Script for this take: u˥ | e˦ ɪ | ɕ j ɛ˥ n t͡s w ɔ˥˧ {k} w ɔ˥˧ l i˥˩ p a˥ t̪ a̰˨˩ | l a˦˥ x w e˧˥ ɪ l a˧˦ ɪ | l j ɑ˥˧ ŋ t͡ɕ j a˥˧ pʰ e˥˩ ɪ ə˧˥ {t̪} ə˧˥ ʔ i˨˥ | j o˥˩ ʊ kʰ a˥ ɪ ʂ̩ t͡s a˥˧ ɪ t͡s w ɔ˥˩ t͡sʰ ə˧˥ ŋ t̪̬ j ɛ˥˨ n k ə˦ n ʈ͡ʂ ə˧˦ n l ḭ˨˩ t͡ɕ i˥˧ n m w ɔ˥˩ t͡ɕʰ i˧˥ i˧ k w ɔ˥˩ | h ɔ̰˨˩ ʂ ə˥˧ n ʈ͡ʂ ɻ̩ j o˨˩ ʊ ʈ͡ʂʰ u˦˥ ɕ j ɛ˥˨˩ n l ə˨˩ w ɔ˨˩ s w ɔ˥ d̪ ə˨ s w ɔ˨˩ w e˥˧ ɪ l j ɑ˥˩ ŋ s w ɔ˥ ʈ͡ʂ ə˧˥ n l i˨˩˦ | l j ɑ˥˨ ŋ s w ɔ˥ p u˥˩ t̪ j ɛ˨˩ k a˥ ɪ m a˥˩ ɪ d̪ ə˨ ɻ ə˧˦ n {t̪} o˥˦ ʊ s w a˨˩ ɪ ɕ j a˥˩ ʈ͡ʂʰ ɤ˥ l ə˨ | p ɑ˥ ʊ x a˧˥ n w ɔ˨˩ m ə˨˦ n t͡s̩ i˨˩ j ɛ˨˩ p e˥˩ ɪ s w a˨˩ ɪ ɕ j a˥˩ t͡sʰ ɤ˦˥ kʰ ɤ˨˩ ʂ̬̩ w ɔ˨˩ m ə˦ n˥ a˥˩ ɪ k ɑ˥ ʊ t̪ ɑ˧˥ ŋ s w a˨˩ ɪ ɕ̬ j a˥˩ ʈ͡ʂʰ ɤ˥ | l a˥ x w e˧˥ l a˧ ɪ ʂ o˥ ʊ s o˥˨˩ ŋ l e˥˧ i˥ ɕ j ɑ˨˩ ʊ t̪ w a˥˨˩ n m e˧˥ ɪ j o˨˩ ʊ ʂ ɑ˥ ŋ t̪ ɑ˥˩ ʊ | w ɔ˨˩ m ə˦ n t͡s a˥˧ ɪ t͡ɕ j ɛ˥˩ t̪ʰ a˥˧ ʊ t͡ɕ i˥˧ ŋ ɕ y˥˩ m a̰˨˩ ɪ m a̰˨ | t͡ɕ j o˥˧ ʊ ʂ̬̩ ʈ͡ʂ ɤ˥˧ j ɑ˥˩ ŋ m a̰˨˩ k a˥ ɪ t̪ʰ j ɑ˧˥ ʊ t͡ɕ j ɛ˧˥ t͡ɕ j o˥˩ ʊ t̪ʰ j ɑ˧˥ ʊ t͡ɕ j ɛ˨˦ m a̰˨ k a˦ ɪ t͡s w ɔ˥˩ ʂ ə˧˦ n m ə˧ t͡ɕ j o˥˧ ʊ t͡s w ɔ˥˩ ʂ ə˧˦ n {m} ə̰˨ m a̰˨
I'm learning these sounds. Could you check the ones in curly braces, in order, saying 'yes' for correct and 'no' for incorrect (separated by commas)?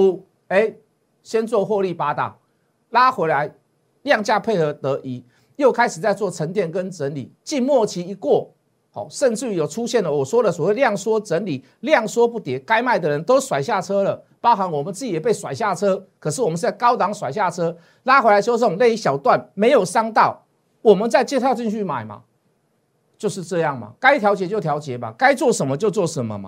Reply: no, yes, yes, yes